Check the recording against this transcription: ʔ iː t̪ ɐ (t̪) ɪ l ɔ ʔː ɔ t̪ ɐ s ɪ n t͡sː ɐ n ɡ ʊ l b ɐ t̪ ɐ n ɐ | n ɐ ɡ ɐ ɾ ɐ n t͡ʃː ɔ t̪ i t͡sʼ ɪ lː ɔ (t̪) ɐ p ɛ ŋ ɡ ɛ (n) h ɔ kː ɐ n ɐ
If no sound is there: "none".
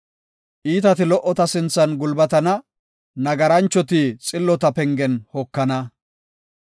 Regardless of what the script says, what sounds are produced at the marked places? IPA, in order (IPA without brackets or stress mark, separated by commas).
t̪, t̪, n